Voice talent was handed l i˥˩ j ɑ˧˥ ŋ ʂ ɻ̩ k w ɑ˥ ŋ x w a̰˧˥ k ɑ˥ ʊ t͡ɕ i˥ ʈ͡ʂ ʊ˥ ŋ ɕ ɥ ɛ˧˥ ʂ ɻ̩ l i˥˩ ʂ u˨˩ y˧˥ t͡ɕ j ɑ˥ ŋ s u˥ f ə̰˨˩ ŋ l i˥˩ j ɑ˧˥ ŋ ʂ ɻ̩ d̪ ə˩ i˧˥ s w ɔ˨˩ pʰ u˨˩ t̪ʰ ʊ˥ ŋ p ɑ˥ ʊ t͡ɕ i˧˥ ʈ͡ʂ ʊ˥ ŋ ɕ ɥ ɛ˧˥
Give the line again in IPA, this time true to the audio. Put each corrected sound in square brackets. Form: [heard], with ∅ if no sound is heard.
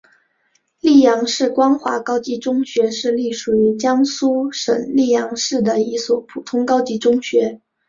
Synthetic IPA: l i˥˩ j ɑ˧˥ ŋ ʂ ɻ̩ k w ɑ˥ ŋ x w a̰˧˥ k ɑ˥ ʊ t͡ɕ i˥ ʈ͡ʂ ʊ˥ ŋ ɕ ɥ ɛ˧˥ ʂ ɻ̩ l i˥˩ ʂ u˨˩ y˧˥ t͡ɕ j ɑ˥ ŋ s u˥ [ʂ] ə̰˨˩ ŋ l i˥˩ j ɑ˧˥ ŋ ʂ ɻ̩ d̪ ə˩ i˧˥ s w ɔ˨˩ pʰ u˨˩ t̪ʰ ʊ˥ ŋ [k] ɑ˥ ʊ t͡ɕ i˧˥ ʈ͡ʂ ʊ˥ ŋ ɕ ɥ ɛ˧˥